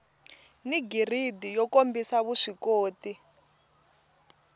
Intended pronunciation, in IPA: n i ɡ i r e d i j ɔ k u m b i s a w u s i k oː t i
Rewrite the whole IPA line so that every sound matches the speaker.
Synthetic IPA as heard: n i ɡ i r i d i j ɔ k o m b i s a β u ʂ i k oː t i

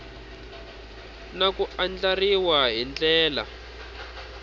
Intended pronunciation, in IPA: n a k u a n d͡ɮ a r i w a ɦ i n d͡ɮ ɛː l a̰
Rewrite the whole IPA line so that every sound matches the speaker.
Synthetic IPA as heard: n a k u a n d͡ɮ a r i w a ɦ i n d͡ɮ ɛː l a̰

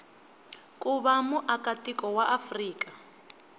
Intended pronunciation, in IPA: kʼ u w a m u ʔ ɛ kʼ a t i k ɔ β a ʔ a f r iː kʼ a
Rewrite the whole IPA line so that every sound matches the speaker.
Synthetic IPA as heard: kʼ u β a m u ʔ a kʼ a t i k ɔ w a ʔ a f r iː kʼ a

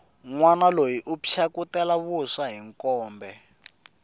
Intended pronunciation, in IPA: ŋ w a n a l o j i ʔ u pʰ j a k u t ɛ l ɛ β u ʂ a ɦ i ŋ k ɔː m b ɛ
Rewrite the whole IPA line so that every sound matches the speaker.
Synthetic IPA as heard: ŋ w a n a l o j i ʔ u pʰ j a k u t ɛ l a β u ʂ a ɦ i ŋ k ɔː m b ɛ

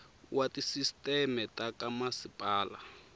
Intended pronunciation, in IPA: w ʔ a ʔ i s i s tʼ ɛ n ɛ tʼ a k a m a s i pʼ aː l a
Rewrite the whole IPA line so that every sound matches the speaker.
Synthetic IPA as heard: w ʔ a t i s i s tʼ ɛ m ɛ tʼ a k a m a s i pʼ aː l a

